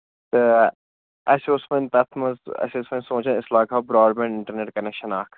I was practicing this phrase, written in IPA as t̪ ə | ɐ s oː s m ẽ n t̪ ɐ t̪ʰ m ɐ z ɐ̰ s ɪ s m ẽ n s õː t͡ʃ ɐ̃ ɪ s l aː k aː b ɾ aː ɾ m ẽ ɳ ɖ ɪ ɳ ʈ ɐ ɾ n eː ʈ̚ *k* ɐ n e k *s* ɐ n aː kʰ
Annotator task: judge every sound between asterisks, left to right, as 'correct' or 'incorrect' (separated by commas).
correct, incorrect